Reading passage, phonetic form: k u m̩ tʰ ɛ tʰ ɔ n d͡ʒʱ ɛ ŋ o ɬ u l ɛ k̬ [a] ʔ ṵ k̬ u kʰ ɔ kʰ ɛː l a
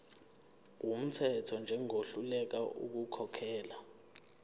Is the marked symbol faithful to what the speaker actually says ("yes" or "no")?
yes